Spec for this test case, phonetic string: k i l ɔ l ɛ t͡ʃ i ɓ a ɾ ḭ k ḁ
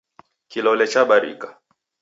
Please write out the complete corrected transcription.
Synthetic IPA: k i l ɔ l ɛ t͡ʃ a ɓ a ɾ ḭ k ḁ